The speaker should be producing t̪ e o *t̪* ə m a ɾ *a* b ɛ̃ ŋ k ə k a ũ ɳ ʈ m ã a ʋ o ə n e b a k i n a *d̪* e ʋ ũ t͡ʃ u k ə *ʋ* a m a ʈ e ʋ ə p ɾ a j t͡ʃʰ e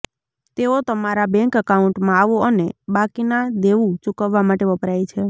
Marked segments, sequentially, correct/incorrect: correct, correct, correct, incorrect: ʋː

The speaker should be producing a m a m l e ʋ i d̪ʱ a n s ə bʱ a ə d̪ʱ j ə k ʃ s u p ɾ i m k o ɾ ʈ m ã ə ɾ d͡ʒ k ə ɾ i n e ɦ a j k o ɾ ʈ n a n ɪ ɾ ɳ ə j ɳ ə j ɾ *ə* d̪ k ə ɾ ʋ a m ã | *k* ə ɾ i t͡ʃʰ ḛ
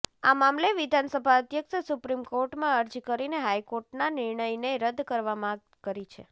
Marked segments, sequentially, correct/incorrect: correct, correct

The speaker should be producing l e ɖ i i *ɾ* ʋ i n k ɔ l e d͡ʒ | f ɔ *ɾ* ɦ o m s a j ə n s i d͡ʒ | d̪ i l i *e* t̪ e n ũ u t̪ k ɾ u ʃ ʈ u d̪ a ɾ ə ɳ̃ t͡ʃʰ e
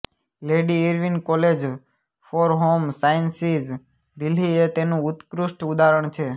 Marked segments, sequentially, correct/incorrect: correct, correct, correct

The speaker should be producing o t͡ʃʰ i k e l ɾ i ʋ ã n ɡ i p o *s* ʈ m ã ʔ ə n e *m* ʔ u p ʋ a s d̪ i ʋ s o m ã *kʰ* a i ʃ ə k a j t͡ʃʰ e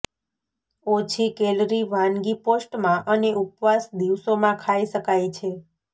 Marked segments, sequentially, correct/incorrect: correct, incorrect: none, correct

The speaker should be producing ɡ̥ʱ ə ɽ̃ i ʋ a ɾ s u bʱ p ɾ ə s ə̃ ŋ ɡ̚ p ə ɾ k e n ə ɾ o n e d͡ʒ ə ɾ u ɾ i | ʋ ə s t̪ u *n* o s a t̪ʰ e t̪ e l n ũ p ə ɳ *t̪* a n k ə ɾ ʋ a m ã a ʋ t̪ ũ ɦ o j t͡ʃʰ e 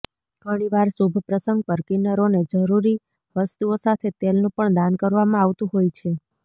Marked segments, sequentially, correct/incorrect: incorrect: none, incorrect: d̪

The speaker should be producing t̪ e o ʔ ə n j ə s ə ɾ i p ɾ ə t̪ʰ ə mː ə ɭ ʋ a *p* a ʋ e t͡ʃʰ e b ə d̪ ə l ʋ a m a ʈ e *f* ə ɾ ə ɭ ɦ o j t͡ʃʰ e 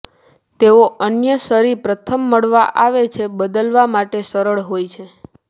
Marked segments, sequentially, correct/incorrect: incorrect: ʔ, incorrect: s

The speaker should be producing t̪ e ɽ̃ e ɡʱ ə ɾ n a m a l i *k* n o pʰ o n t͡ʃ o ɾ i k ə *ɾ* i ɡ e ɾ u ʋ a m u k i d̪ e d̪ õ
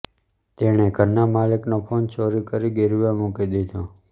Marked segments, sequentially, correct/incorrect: correct, correct

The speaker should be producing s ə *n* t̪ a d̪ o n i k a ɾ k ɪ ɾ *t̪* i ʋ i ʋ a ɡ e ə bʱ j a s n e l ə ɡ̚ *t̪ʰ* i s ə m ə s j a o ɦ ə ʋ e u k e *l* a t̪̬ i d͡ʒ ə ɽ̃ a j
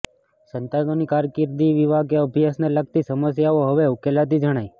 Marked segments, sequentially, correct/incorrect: correct, incorrect: d̪, incorrect: t̪, correct

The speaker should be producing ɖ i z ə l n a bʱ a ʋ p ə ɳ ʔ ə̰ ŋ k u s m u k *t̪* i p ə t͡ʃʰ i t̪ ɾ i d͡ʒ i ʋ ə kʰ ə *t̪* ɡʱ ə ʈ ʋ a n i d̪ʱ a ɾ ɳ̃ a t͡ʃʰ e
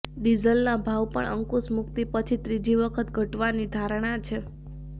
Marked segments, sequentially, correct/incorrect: correct, correct

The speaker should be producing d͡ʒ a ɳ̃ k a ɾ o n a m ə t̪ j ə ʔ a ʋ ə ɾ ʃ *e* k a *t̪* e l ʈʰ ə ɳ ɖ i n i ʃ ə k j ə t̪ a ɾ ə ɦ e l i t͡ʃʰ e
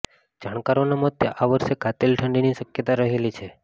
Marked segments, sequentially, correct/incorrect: correct, correct

